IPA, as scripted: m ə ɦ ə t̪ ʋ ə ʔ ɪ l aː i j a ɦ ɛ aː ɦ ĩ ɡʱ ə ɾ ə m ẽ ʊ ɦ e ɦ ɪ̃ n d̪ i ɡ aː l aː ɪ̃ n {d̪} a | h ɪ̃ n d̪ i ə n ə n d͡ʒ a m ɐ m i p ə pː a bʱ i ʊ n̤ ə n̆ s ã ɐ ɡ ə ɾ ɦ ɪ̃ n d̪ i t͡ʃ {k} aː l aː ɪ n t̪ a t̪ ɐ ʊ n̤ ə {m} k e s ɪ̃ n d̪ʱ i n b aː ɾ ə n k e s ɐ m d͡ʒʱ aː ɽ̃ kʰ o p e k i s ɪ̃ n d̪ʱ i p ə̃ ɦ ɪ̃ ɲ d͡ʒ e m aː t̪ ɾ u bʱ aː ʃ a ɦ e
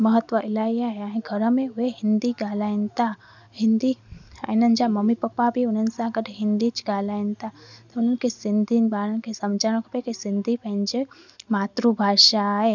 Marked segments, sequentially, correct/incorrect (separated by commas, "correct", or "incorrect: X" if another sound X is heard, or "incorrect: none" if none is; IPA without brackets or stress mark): incorrect: t̪, incorrect: ɡ, incorrect: n